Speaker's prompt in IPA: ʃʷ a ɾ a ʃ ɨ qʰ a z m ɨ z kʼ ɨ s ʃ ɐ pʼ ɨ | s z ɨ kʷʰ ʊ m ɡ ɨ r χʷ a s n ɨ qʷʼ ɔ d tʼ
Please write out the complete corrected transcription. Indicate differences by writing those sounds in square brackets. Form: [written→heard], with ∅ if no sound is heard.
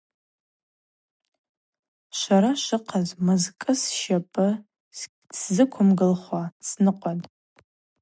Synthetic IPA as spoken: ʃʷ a ɾ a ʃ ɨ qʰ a z m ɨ z kʼ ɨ s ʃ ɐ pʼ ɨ | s z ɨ kʷʰ ʊ m ɡ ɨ [r→l] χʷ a s n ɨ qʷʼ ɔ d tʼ